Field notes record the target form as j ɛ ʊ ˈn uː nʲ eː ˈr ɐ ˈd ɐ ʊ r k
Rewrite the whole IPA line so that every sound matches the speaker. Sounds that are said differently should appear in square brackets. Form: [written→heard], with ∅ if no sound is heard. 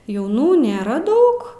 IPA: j ɛ ʊ ˈn uː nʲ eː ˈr ɐ ˈd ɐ ʊ [r→∅] k